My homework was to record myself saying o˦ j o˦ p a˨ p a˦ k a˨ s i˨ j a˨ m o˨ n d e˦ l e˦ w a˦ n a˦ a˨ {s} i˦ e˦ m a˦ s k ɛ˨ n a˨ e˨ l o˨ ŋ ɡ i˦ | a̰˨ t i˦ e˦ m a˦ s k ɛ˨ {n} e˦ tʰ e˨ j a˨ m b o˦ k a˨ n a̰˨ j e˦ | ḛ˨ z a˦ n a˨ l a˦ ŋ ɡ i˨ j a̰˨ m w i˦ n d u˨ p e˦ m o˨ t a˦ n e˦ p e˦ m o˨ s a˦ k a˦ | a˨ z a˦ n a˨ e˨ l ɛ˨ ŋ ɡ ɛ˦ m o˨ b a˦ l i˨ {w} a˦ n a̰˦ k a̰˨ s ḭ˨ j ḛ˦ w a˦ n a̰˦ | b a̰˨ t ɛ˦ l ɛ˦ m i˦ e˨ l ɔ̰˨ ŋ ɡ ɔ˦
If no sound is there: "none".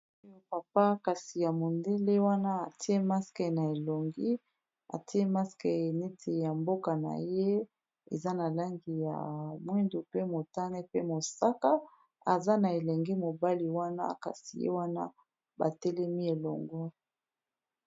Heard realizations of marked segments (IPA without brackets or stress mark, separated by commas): t, n, w